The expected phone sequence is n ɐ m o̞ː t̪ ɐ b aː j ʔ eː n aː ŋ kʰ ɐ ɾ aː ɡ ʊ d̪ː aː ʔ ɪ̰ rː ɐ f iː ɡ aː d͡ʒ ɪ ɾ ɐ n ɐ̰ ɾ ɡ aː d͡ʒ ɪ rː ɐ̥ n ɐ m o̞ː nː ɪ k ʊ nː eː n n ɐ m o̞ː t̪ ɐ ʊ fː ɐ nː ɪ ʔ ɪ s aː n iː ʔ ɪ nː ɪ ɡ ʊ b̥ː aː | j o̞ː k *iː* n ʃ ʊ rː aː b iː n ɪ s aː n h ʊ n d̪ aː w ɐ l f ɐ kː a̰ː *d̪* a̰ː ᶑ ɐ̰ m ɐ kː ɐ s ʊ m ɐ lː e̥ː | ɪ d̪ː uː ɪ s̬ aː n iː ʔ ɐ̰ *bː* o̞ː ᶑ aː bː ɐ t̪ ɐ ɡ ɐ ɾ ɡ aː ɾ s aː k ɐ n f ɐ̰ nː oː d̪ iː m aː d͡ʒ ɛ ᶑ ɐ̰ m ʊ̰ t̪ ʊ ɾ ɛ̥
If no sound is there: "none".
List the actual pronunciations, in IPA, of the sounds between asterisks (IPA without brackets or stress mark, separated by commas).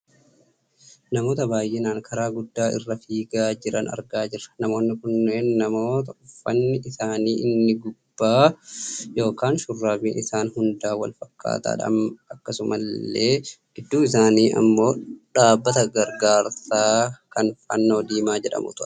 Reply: aː, t̪, mː